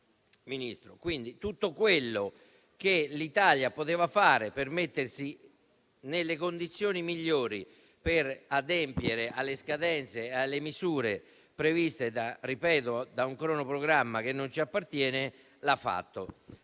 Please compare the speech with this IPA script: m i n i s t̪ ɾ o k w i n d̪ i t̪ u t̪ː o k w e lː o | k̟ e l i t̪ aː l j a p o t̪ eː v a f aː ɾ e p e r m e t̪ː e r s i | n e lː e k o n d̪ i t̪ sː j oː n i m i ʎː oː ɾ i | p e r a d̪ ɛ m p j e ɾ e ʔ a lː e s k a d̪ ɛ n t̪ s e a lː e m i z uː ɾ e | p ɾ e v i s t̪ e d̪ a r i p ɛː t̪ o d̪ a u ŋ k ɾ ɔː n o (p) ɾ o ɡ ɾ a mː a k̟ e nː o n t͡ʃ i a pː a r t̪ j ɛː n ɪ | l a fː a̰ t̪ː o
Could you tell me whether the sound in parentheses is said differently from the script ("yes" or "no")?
no